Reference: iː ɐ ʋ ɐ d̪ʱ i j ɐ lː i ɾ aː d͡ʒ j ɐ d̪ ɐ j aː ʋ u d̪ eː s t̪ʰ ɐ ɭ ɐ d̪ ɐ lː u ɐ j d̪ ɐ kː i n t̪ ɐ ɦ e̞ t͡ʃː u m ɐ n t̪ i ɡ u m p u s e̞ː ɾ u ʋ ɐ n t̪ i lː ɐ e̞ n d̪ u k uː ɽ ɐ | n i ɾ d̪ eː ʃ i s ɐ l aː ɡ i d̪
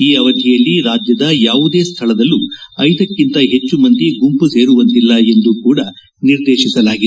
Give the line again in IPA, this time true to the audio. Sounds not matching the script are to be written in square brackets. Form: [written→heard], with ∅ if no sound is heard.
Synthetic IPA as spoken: iː ɐ ʋ ɐ d̪ʱ i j ɐ lː i ɾ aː d͡ʒ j ɐ d̪ ɐ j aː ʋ u d̪ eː s t̪ʰ ɐ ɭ ɐ d̪ ɐ lː u ɐ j d̪ ɐ kː i n t̪ ɐ ɦ e̞ t͡ʃː u m ɐ n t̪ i ɡ u m p u s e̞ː ɾ u ʋ ɐ n t̪ i lː ɐ e̞ n d̪ u k uː ɽ ɐ | n i ɾ d̪ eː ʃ i s ɐ l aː ɡ i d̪